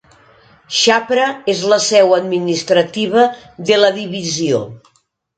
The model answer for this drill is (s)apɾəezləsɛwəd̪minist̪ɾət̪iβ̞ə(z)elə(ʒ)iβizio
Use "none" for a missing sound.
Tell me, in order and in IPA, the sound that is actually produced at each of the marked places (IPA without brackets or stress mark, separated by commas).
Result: ʃ, ð, ð